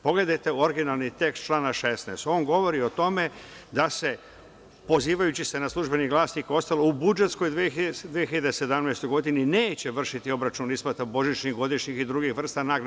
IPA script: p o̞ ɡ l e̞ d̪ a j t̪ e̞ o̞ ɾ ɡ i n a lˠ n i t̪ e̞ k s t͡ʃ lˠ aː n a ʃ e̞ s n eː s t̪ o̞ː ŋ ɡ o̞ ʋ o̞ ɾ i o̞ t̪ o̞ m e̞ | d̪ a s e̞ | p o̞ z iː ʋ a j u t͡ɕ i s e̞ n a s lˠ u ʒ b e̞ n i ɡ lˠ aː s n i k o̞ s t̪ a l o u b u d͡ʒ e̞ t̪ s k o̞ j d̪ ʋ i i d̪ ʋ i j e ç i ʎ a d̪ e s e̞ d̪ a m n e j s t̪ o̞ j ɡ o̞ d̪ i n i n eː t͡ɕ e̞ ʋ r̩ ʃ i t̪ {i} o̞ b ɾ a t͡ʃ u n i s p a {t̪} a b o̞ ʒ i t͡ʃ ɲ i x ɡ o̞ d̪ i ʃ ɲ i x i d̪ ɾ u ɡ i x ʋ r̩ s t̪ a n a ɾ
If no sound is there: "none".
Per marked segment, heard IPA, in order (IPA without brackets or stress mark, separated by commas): i, t̪